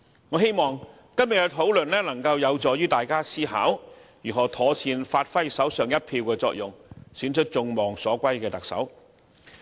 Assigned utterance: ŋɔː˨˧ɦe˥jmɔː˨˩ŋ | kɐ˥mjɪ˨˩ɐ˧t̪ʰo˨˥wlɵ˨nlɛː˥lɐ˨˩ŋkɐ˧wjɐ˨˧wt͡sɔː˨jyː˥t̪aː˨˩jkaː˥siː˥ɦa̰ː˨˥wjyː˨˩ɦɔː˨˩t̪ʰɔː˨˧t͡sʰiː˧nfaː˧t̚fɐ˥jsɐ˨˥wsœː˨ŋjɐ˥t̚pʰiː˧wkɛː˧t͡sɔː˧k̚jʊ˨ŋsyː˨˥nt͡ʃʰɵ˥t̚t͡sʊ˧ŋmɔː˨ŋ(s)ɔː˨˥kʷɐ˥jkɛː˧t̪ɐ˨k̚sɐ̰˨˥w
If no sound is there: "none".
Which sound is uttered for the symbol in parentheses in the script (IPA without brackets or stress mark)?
s